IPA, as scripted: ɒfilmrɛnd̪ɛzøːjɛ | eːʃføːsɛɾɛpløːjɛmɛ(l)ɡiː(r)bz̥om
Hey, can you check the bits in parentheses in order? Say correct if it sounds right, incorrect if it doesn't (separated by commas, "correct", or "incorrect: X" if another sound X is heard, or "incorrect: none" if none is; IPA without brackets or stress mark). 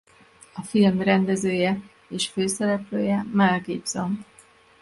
correct, incorrect: none